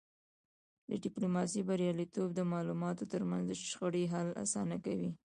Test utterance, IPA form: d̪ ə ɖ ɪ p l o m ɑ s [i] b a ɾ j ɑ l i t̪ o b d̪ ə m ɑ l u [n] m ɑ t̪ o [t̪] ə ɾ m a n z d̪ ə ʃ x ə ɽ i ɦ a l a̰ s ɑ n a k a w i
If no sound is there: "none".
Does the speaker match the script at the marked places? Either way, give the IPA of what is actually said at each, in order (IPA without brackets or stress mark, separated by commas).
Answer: i, none, t̪